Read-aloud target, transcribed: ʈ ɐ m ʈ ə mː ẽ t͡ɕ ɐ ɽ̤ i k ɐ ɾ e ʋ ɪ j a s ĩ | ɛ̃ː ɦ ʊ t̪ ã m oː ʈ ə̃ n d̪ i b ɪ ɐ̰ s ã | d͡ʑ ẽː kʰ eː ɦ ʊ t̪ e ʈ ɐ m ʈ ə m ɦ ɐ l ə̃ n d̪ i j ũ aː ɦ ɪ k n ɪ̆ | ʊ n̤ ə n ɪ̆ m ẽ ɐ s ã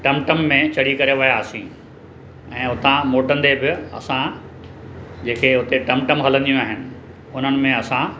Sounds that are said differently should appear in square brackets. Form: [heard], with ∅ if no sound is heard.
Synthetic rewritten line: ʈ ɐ m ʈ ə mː ẽ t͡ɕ ɐ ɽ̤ i k ɐ ɾ e ʋ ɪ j a s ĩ | ɛ̃ː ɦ ʊ t̪ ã m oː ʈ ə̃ n d̪ [e] b ɪ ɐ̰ s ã | d͡ʑ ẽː kʰ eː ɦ ʊ t̪ e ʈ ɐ m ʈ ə m ɦ ɐ l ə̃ n d̪ i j ũ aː ɦ ɪ [∅] n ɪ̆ | ʊ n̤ ə n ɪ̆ m ẽ ɐ s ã

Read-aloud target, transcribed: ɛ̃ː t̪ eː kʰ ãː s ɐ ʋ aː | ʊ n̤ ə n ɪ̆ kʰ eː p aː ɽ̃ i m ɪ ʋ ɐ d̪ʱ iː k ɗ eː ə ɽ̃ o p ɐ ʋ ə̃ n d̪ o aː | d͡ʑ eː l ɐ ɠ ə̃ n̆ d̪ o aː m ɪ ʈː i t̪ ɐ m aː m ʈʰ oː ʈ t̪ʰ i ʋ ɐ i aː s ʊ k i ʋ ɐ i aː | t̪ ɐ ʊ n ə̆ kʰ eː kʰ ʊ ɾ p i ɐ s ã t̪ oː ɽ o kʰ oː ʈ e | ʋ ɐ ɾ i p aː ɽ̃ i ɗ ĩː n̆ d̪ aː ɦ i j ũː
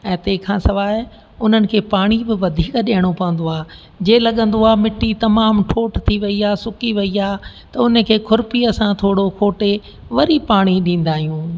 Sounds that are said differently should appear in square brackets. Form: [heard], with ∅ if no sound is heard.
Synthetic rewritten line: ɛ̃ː t̪ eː kʰ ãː s ɐ ʋ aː | ʊ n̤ ə n ɪ̆ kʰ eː p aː ɽ̃ i [b] ɪ ʋ ɐ d̪ʱ iː k ɗ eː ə ɽ̃ o p ɐ ʋ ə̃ n d̪ o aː | d͡ʑ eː l ɐ ɠ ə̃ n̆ d̪ o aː m ɪ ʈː i t̪ ɐ m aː m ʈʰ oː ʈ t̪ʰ i ʋ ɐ i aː s ʊ k i ʋ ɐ i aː | t̪ ɐ ʊ n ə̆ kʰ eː kʰ ʊ ɾ p i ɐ s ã [t̪ʰ] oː ɽ o kʰ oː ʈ e | ʋ ɐ ɾ i p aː ɽ̃ i ɗ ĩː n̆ d̪ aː ɦ i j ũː

